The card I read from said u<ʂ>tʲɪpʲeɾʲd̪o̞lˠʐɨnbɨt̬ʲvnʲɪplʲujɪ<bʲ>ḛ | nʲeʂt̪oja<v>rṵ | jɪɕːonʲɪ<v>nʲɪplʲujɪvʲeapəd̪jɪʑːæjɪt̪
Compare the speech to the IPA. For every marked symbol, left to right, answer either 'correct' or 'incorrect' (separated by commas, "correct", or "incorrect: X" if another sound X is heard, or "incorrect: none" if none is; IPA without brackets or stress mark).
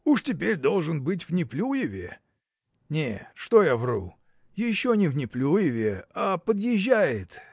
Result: correct, incorrect: vʲ, correct, correct